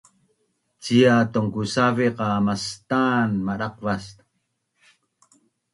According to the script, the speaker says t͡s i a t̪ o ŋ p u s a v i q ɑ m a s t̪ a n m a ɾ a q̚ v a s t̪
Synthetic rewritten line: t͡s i a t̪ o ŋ k u s a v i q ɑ m a s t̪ a n m a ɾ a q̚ v a s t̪